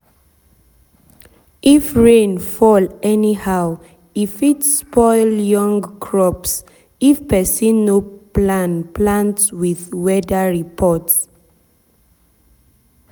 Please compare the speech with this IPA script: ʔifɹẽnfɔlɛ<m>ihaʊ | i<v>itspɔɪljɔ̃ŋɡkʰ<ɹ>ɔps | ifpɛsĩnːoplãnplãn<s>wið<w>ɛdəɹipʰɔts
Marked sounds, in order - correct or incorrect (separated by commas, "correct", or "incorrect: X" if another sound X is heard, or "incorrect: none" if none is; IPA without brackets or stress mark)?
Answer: incorrect: n, incorrect: f, correct, incorrect: t, correct